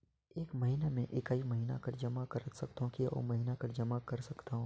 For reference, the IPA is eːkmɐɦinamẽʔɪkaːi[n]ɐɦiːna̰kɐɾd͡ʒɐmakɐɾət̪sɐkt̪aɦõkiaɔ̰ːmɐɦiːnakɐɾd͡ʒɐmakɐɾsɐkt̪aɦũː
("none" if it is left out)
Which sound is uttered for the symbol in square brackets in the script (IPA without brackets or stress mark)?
m